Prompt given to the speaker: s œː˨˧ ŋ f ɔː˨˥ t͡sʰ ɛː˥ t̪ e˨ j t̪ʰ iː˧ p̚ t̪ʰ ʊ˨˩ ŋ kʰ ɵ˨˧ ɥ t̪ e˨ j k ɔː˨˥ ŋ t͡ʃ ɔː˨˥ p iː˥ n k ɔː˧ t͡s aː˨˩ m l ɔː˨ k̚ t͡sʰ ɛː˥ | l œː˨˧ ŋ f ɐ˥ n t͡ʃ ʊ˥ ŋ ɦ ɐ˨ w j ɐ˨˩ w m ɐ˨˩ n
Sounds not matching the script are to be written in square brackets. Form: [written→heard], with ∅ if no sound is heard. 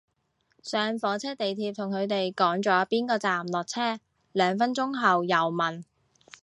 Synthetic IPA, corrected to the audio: s œː˨˧ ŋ f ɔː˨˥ t͡sʰ ɛː˥ t̪ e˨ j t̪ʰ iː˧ p̚ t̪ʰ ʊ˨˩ ŋ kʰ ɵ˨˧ ɥ t̪ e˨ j k ɔː˨˥ ŋ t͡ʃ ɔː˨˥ p iː˥ n k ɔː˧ t͡s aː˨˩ m l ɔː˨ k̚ t͡sʰ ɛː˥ | l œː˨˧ ŋ f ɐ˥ n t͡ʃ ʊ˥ ŋ ɦ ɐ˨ w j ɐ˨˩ w m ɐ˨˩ n